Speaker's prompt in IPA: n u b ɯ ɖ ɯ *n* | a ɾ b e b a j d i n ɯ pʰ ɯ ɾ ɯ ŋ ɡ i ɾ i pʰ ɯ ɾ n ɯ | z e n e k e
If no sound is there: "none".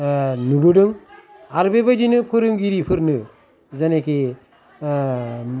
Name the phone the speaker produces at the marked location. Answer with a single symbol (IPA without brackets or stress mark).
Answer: ŋ